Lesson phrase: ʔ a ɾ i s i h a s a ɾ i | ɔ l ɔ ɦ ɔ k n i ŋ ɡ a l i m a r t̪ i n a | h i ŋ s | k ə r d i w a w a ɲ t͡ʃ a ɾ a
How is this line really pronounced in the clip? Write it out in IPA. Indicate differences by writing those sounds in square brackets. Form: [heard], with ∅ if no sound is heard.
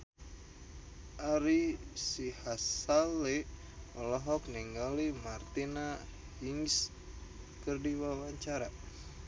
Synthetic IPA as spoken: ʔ a ɾ i s i h a s a [l] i | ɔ l ɔ ɦ ɔ k n i ŋ ɡ a l i m a r t̪ i n a | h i ŋ s | k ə r d i w a w a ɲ t͡ʃ a ɾ a